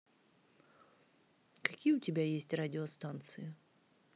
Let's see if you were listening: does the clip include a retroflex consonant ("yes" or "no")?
no